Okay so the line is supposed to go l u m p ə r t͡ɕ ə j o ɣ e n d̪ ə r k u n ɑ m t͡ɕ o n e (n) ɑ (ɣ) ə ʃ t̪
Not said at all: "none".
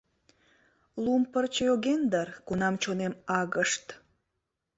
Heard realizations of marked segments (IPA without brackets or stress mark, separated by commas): m, ɣ